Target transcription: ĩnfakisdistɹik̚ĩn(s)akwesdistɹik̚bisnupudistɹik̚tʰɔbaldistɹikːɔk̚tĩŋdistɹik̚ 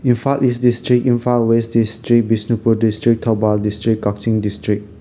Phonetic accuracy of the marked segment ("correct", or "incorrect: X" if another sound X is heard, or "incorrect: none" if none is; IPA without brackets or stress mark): incorrect: f